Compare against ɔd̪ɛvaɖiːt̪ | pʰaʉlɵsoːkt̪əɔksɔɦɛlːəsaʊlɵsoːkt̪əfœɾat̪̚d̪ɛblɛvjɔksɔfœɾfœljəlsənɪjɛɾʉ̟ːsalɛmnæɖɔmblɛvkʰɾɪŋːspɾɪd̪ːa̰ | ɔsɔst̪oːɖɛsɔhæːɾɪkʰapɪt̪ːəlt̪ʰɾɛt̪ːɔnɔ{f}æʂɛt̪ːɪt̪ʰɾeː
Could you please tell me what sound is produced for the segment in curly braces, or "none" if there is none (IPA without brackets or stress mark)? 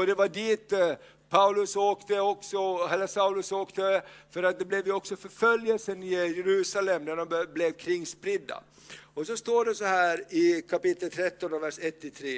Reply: v